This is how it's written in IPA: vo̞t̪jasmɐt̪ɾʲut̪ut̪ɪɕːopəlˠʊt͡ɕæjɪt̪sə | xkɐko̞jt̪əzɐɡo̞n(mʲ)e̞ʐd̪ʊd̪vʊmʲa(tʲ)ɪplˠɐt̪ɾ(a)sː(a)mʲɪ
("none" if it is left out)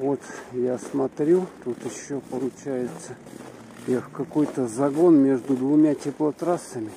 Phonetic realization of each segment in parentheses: mʲ, tʲ, a, ə

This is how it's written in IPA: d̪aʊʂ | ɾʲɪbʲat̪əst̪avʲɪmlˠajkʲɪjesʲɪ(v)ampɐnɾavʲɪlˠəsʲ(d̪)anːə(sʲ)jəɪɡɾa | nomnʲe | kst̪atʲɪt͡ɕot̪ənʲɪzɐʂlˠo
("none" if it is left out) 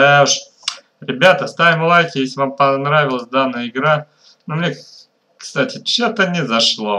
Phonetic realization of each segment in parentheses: v, d̪, none

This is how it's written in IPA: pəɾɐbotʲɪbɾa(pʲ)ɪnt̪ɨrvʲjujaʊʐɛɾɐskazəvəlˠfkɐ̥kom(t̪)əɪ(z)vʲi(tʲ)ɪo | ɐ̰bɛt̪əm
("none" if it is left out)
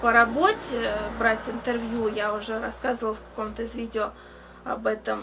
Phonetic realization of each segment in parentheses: tʲ, t̪, z, dʲ

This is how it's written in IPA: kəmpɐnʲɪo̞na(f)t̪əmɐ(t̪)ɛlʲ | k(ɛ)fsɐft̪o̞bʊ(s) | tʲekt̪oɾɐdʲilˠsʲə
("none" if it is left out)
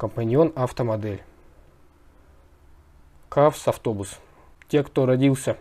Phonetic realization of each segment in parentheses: f, d̪, a, s

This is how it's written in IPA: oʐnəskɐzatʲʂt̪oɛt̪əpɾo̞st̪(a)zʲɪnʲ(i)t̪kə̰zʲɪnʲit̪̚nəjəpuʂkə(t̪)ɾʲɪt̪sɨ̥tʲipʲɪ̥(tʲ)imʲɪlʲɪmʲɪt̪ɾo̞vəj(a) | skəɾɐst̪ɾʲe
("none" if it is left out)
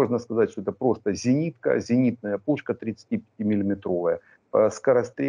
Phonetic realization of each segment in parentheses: ə, i, t̪, tʲ, ə

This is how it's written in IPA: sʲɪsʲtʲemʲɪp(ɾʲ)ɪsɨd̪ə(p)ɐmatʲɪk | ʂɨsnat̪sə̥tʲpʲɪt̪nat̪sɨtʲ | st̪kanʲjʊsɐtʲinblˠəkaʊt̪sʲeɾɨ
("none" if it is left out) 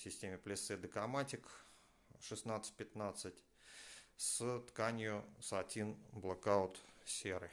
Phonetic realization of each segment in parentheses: lʲ, k

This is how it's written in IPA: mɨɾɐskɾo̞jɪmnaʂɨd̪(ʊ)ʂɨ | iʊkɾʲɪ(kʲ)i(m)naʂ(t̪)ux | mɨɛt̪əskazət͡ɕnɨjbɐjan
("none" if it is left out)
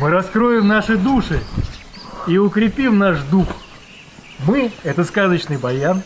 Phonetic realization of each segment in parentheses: u, pʲ, m, d̪

